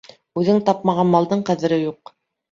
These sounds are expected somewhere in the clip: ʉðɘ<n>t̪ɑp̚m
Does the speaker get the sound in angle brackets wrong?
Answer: yes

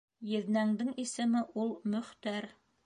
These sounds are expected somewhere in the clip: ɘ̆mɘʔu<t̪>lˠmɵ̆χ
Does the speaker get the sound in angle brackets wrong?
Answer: yes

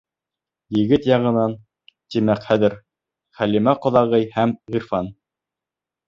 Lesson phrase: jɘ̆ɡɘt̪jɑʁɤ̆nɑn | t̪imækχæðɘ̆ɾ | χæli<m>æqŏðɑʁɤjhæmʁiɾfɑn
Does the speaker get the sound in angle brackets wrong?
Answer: no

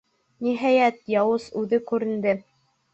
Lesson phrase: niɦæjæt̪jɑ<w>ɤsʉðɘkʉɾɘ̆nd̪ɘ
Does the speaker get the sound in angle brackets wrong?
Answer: no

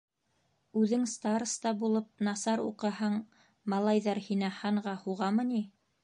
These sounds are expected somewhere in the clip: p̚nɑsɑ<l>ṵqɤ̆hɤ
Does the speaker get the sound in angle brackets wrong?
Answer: yes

